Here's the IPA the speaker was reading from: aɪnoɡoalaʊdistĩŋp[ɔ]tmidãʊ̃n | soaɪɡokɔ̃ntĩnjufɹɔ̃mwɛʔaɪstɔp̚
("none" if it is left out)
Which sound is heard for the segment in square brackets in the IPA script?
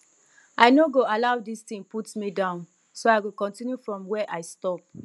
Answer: u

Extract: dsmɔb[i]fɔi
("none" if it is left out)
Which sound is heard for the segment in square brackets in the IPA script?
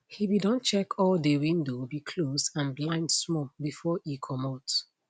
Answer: i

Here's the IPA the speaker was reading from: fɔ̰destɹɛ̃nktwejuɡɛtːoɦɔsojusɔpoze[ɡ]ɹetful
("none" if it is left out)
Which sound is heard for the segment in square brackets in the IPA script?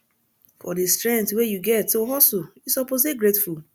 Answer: ɡ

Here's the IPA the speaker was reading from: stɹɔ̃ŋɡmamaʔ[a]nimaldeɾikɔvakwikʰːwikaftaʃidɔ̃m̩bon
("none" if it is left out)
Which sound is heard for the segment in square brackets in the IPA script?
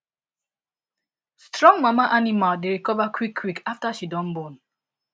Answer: a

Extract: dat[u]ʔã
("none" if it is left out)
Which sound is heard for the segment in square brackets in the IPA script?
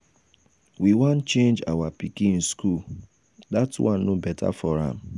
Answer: w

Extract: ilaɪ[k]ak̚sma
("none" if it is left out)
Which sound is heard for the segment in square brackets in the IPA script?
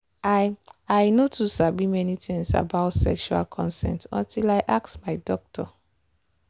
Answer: ʔ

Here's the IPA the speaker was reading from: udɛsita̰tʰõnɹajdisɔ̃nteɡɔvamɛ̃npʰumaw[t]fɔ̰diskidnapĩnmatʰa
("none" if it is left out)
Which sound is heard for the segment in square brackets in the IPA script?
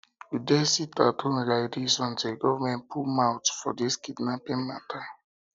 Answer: t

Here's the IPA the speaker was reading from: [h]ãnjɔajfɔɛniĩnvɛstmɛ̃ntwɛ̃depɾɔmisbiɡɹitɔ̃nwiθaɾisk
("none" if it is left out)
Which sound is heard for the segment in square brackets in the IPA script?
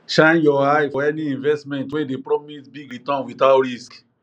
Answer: ʃ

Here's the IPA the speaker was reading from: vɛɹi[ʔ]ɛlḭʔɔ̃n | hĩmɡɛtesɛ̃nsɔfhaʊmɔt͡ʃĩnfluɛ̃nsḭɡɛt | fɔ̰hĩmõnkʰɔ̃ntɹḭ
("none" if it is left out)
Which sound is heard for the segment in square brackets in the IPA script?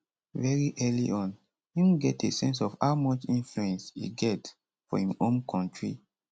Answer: ʔ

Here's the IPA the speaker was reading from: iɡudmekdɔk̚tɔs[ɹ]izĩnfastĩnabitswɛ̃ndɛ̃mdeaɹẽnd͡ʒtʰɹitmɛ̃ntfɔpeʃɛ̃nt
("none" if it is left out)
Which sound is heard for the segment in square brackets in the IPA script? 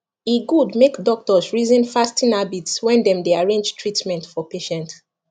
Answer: ɹ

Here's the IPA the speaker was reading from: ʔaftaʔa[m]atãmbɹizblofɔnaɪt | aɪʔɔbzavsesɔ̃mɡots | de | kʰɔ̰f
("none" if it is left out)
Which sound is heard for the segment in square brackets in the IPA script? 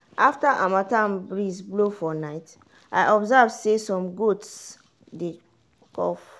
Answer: m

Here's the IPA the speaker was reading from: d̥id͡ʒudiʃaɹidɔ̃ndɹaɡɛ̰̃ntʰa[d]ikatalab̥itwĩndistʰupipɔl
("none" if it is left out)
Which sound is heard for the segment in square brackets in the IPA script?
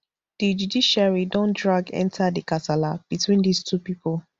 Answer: d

